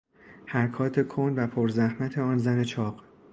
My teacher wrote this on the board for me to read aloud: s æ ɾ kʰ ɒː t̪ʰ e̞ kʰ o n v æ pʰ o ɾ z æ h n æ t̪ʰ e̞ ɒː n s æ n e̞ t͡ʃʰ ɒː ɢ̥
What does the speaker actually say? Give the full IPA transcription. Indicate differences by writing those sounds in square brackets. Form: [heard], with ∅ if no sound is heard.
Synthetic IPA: [h] æ ɾ kʰ ɒː t̪ʰ e̞ kʰ o n v æ pʰ o ɾ z æ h [m] æ t̪ʰ e̞ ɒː n [z] æ n e̞ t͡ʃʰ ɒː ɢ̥